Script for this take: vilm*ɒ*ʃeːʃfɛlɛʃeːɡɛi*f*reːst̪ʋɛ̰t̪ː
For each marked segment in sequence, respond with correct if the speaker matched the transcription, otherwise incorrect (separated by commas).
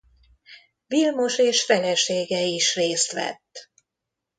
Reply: incorrect, incorrect